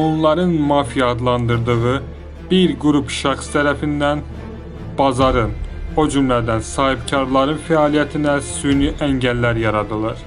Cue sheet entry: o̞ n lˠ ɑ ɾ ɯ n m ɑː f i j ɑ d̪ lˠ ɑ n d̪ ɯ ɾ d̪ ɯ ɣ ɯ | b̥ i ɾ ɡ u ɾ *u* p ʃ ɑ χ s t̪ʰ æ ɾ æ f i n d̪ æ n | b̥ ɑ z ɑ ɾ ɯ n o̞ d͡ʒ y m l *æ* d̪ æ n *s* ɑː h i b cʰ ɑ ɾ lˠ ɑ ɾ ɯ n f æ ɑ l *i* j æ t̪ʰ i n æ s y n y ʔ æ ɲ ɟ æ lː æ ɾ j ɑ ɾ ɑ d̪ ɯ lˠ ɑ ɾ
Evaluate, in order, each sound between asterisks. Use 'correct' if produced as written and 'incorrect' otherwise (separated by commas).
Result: correct, correct, correct, correct